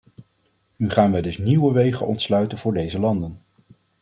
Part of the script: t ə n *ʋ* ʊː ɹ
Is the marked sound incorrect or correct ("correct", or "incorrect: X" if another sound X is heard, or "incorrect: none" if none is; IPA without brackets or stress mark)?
incorrect: v